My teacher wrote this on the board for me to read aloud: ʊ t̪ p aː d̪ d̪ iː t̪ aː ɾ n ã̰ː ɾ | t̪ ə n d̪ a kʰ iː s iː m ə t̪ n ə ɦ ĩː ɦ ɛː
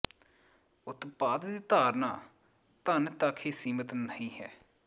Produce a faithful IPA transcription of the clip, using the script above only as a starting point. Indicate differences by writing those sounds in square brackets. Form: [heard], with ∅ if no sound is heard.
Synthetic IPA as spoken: ʊ t̪ p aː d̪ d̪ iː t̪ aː ɾ n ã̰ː [∅] | t̪ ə n [t̪] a kʰ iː s iː m ə t̪ n ə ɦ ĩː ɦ ɛː